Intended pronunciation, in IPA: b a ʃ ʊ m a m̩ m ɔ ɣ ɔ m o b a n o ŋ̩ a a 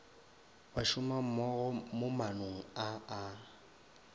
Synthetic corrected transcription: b a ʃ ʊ m a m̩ m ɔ ɣ ɔ m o m a n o ŋ̩ a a